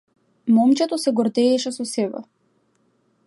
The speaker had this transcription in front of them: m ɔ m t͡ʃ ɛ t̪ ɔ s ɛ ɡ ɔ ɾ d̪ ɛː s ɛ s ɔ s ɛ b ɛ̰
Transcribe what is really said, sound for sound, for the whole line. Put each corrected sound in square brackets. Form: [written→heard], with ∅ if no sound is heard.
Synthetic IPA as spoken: m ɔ m t͡ʃ ɛ t̪ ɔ s ɛ ɡ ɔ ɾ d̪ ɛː [s→ʃ] ɛ s ɔ s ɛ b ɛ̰